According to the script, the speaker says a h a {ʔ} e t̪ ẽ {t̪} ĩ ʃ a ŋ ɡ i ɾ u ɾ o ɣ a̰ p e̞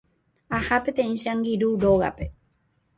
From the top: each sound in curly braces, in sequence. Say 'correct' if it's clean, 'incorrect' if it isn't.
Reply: incorrect, incorrect

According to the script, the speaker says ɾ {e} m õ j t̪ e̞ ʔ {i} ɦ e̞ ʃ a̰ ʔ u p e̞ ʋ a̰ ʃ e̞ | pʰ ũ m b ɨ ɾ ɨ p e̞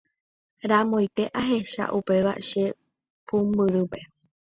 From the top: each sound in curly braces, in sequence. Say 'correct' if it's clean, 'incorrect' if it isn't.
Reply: incorrect, incorrect

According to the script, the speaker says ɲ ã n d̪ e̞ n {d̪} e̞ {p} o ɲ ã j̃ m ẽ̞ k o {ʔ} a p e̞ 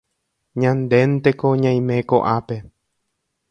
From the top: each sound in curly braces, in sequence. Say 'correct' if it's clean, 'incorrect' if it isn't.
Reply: incorrect, incorrect, correct

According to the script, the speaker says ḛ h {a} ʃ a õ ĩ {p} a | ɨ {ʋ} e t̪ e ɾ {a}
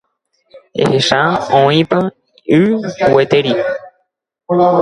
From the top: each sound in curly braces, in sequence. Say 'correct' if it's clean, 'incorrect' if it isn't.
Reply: incorrect, correct, incorrect, incorrect

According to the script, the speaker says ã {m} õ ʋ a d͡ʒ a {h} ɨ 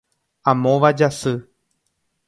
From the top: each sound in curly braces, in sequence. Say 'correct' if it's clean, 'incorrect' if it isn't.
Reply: correct, incorrect

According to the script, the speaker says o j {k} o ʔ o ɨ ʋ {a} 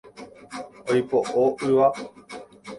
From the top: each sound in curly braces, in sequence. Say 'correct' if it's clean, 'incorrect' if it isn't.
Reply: incorrect, correct

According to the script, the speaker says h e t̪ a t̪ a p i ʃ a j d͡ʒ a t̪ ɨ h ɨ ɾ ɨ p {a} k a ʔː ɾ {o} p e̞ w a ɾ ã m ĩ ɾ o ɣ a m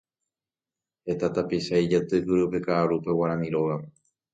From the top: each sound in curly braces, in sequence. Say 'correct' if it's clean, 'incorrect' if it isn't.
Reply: incorrect, incorrect

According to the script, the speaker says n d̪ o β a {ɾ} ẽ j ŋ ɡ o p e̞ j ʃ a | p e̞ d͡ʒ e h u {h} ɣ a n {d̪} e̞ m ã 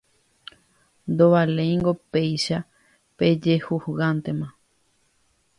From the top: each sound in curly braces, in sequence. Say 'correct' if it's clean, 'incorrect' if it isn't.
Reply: incorrect, correct, incorrect

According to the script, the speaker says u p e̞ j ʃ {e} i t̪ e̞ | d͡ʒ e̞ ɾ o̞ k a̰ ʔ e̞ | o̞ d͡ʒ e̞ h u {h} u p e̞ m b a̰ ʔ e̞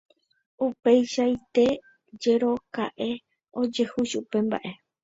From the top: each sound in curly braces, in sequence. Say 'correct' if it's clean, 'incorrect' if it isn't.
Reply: incorrect, incorrect

